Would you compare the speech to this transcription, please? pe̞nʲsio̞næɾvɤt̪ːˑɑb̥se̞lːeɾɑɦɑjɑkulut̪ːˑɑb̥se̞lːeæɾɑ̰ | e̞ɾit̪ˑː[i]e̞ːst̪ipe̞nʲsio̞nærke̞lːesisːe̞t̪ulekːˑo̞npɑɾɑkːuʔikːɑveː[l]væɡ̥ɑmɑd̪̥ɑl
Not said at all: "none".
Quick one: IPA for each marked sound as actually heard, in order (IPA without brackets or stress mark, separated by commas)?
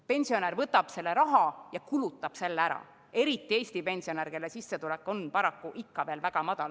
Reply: i, l